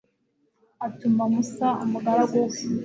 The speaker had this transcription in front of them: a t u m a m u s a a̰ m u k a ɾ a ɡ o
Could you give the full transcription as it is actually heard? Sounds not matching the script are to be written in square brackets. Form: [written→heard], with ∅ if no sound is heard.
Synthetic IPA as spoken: a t u m a m u s a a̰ m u [k→ɡ] a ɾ a ɡ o